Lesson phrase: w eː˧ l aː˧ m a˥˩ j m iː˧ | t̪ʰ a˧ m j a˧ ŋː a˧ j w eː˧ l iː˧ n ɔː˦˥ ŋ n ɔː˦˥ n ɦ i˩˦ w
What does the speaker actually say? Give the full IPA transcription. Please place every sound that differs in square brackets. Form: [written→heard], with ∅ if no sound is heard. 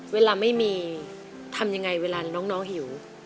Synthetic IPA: w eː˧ l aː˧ m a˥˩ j m iː˧ | t̪ʰ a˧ m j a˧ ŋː a˧ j w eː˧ l [iː˧→aː˧] n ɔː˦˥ ŋ n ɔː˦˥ [n→ŋ] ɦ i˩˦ w